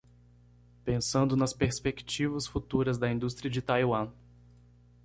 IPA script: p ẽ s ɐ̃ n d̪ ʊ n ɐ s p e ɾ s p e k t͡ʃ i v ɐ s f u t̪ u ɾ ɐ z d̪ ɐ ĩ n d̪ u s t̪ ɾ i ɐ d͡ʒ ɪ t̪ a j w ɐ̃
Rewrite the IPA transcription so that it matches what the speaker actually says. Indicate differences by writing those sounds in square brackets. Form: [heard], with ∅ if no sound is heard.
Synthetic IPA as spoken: p ẽ s ɐ̃ n d̪ ʊ n ɐ s p e ɾ s p e k t͡ʃ i v ɐ s f u t̪ u ɾ ɐ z d̪ ɐ ĩ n d̪ u s t̪ ɾ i ɐ d͡ʒ ɪ t̪ a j w ɐ̃